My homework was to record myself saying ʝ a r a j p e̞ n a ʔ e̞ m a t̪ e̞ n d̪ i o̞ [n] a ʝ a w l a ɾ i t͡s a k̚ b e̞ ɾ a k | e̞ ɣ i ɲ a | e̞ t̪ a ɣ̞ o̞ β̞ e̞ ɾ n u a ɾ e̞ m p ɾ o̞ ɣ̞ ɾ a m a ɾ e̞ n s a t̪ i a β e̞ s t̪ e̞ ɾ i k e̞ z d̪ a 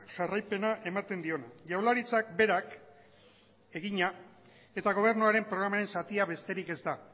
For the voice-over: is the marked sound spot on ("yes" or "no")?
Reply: yes